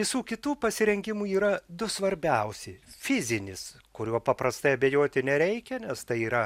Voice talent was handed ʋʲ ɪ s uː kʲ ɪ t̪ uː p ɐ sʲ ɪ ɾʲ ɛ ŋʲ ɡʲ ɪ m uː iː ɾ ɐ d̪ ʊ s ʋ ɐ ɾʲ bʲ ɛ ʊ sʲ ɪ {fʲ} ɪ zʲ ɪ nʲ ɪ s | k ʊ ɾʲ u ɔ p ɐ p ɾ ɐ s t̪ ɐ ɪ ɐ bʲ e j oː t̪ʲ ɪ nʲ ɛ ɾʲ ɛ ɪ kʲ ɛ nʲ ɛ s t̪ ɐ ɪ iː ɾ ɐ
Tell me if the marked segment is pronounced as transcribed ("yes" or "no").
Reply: yes